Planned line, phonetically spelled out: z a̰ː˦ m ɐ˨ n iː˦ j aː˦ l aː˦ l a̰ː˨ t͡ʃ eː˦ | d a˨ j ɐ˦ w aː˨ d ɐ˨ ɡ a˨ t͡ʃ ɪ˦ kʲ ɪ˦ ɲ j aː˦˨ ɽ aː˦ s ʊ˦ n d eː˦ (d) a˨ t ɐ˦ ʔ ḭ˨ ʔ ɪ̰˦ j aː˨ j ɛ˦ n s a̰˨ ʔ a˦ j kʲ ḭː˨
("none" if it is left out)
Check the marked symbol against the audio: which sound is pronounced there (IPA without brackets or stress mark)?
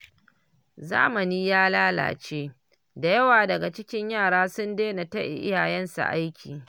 n